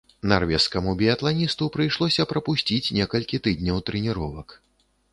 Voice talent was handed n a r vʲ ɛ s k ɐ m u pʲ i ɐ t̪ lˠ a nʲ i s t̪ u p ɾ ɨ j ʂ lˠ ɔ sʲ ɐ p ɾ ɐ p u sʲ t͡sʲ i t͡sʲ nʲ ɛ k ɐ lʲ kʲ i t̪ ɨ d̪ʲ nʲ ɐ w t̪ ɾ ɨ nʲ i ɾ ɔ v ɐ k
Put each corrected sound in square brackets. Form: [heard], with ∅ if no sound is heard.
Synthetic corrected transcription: n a r vʲ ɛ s k ɐ m u [bʲ] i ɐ t̪ lˠ a nʲ i s t̪ u p ɾ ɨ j ʂ lˠ ɔ sʲ ɐ p ɾ ɐ p u sʲ t͡sʲ i t͡sʲ nʲ ɛ k ɐ lʲ kʲ i t̪ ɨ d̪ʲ nʲ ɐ w t̪ ɾ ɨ nʲ i ɾ ɔ v ɐ k